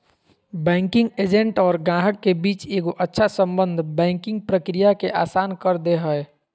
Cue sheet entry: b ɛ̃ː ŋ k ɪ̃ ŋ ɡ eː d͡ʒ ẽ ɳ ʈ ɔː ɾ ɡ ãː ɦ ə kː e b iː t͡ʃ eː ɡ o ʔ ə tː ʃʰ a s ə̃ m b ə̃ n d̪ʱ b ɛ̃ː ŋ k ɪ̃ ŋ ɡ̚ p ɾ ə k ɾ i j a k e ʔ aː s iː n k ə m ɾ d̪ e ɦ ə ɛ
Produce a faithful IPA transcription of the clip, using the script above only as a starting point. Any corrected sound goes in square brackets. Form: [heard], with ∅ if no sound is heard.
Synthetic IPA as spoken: b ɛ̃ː ŋ k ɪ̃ ŋ ɡ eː d͡ʒ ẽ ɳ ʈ ɔː ɾ ɡ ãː ɦ ə kː e b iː t͡ʃ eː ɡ o ʔ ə tː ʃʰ a s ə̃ m b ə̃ n d̪ʱ b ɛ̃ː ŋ k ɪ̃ ŋ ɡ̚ p ɾ ə k ɾ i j a k e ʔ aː s [aː] n k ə [∅] ɾ d̪ e ɦ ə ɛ